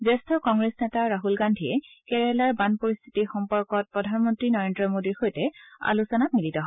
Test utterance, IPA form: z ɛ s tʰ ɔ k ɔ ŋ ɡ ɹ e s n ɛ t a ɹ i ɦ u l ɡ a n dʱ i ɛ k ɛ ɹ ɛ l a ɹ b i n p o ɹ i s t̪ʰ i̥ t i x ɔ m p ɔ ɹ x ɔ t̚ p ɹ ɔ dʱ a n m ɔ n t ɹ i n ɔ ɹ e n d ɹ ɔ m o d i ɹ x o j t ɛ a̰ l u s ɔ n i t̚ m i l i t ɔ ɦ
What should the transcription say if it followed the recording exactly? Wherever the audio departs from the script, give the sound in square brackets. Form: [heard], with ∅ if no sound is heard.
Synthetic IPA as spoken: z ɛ s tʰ ɔ k ɔ ŋ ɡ ɹ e s n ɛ t a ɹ [a] ɦ u l ɡ a n dʱ i ɛ k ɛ ɹ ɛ l a ɹ b [a] n p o ɹ i s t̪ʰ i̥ t i x ɔ m p ɔ ɹ [k] ɔ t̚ p ɹ ɔ dʱ a n m ɔ n t ɹ i n ɔ ɹ e n d ɹ ɔ m o d i ɹ x o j t ɛ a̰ l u s ɔ n [a] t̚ m i l i t ɔ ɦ

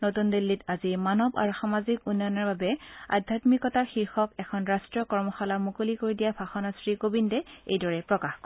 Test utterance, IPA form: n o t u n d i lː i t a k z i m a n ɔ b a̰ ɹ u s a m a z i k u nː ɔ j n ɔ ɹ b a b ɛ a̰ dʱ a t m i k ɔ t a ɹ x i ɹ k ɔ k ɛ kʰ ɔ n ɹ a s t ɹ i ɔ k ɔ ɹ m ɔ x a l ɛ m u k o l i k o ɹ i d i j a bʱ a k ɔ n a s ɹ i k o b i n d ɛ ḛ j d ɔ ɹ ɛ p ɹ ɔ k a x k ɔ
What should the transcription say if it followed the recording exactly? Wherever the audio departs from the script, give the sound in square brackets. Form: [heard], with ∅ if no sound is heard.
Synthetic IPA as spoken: n o t u n d i lː i t a [∅] z i m a n ɔ b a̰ ɹ u [x] a m a z i k u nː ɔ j n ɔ ɹ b a b ɛ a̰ dʱ a t m i k ɔ t a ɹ x i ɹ [x] ɔ k ɛ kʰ ɔ n ɹ a s t ɹ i ɔ k ɔ ɹ m ɔ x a l [a] m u k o l i k o ɹ i d i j a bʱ a [x] ɔ n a s ɹ i k o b i n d ɛ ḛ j d ɔ ɹ ɛ p ɹ ɔ k a x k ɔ

